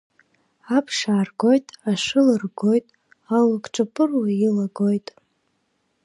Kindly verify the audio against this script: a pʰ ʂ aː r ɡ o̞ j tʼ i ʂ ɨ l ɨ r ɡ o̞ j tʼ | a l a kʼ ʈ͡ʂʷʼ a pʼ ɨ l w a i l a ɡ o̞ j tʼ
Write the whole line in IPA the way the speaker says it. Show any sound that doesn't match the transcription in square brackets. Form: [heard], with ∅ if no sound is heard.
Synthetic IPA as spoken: a pʰ ʂ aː r ɡ o̞ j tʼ [a] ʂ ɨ l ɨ r ɡ o̞ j tʼ | a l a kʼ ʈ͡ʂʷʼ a pʼ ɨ [r] w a i l a ɡ o̞ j tʼ